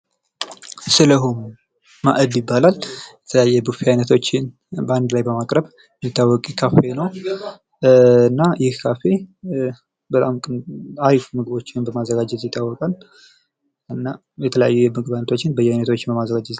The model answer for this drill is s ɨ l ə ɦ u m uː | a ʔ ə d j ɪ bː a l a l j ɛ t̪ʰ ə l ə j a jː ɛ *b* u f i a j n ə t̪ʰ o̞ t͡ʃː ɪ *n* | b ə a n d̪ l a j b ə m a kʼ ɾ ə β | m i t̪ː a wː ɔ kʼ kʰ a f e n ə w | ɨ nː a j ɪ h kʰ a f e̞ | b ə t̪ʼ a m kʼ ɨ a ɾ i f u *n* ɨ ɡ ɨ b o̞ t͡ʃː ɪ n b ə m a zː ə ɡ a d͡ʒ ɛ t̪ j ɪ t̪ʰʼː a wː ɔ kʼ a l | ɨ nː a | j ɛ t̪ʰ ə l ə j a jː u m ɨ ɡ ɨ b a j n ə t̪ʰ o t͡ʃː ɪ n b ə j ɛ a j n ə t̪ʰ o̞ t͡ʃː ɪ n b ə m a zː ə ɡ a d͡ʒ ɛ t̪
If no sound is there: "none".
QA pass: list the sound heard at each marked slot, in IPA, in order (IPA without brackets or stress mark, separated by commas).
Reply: b, n, m